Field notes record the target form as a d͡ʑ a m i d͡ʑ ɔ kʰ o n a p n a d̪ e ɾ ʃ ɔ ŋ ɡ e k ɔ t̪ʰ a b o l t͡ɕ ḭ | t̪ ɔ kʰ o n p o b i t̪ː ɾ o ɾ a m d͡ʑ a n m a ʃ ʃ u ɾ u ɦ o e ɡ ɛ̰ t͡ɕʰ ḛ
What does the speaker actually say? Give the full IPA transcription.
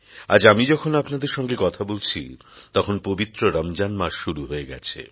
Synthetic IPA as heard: a d͡ʑ a m i d͡ʑ ɔ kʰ o n a p n a d̪ e ɾ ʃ ɔ ŋ ɡ e k ɔ t̪ʰ a b o l t͡ɕʰ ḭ | t̪ ɔ kʰ o n p o b i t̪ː ɾ o ɾ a m d͡ʑ a n m a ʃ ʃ u ɾ u ɦ o e ɡ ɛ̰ t͡ɕʰ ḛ